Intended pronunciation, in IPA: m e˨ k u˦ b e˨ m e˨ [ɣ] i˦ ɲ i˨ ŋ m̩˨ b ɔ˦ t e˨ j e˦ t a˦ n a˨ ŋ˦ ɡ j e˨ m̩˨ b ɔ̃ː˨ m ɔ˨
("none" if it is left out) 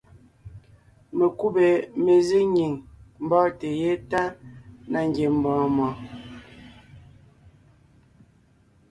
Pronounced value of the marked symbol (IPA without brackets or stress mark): z